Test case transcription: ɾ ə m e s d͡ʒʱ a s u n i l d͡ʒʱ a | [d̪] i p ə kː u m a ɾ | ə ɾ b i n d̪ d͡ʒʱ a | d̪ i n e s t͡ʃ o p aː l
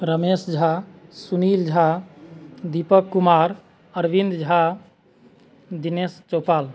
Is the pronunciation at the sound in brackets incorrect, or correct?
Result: correct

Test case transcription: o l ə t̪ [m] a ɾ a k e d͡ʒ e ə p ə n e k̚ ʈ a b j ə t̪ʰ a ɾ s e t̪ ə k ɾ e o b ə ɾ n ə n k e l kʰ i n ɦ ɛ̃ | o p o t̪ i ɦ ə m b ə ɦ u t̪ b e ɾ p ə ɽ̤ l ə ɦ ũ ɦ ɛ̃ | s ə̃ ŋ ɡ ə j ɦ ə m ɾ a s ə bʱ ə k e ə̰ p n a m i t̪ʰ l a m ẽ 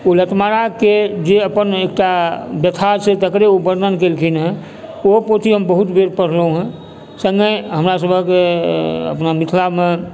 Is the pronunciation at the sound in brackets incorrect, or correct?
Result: correct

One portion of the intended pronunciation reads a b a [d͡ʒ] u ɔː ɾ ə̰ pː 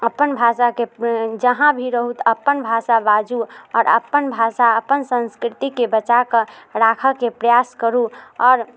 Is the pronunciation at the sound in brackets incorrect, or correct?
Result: correct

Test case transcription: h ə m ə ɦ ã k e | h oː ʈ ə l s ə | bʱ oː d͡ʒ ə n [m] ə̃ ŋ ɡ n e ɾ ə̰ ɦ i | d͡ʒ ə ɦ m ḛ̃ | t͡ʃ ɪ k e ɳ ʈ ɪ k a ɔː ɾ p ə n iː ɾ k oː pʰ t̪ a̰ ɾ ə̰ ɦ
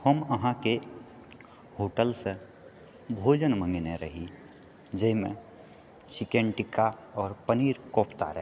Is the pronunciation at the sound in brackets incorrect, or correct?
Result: correct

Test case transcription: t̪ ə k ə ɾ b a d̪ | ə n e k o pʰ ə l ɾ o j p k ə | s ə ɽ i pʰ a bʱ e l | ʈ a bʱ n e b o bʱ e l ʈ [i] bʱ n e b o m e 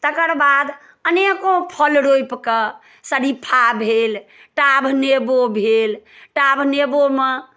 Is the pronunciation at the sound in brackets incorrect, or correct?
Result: incorrect: a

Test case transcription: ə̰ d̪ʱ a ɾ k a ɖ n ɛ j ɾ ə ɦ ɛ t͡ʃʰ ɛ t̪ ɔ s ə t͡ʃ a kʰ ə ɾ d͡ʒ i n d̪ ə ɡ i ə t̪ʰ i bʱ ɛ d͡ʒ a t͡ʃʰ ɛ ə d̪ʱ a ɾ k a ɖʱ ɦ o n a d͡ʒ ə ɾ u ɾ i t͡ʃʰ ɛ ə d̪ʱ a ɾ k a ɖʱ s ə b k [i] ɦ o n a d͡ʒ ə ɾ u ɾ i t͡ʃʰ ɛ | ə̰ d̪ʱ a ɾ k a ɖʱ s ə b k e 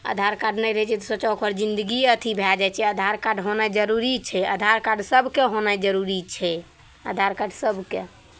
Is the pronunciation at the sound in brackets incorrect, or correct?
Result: incorrect: e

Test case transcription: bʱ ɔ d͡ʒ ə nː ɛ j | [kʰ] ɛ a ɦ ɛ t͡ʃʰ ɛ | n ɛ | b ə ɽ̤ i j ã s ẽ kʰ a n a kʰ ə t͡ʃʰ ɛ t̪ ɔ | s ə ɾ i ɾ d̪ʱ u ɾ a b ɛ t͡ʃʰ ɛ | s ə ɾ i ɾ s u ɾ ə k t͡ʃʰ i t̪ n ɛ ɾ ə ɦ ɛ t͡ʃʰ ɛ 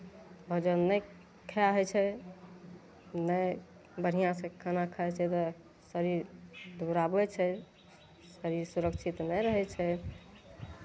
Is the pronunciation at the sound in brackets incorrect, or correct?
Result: correct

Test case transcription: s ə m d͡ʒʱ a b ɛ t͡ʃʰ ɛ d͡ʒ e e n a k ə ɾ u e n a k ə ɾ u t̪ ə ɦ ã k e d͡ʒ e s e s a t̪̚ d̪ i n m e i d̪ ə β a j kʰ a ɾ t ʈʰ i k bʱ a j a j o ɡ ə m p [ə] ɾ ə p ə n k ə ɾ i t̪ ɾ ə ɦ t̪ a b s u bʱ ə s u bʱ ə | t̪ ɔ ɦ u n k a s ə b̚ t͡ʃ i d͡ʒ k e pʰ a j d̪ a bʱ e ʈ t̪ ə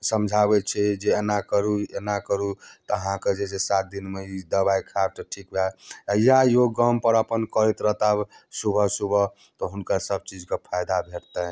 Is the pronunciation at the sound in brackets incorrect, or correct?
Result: correct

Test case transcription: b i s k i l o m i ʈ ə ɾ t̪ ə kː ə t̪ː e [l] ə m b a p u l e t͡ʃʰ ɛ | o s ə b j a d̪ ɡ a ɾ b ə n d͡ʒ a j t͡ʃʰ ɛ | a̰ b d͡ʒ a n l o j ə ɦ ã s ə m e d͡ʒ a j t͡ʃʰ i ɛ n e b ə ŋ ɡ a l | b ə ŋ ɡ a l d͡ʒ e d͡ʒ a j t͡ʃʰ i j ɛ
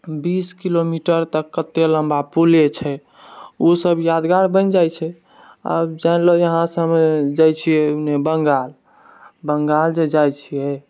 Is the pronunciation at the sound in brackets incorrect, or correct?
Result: correct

